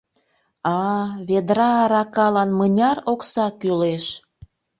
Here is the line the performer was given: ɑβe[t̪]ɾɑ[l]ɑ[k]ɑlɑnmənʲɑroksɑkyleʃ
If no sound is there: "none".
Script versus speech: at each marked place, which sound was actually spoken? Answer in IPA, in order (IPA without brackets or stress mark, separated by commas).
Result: d̪, ɾ, k